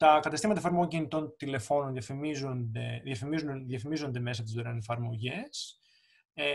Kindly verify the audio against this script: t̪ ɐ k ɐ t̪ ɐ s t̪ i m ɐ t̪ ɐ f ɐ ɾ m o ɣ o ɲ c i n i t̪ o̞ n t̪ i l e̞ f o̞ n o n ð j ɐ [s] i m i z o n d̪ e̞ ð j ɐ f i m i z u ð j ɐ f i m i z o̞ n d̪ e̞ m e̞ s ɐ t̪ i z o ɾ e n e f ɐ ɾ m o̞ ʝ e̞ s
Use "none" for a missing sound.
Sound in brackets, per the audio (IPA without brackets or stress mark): f